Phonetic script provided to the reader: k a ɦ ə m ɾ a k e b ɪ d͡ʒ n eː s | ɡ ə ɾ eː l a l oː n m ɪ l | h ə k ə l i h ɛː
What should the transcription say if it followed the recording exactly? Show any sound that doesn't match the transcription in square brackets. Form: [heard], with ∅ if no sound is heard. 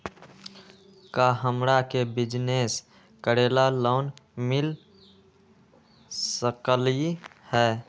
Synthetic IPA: k a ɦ ə m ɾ a k e b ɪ d͡ʒ n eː s | [k] ə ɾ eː l a l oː n m ɪ l | [s] ə k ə l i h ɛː